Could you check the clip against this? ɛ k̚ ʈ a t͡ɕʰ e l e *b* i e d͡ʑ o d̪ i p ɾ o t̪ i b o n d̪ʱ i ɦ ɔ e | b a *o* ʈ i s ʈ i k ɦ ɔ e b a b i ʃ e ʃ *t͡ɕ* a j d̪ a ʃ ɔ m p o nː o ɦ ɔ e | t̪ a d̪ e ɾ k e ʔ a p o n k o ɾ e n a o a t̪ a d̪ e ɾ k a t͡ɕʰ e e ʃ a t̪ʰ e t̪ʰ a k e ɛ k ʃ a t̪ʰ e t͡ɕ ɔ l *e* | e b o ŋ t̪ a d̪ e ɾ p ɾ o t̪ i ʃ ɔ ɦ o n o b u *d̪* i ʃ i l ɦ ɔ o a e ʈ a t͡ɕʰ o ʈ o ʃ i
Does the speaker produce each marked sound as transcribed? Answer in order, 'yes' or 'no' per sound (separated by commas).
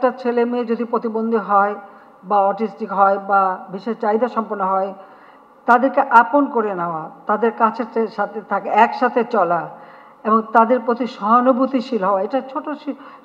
no, no, yes, no, no